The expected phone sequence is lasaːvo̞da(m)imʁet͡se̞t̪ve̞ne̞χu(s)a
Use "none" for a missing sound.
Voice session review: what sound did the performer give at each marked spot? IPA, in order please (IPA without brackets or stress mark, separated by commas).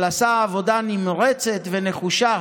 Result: n, ʃ